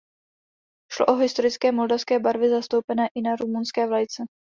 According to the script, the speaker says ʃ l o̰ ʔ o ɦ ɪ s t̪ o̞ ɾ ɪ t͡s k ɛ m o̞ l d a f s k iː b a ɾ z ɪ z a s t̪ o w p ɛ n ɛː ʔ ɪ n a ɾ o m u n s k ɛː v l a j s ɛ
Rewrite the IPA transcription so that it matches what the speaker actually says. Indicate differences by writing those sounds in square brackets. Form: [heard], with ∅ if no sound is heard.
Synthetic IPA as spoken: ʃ l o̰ ʔ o ɦ ɪ s t̪ o̞ ɾ ɪ t͡s k [ɛː] m o̞ l d a f s k [ɛː] b a ɾ [v] ɪ z a s t̪ o w p ɛ n ɛː ʔ ɪ n a ɾ [u] m u n s k ɛː v l a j [t͡s] ɛ